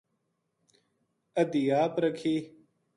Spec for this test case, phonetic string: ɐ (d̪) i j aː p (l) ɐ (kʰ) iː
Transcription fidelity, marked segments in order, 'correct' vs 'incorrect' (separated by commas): correct, incorrect, correct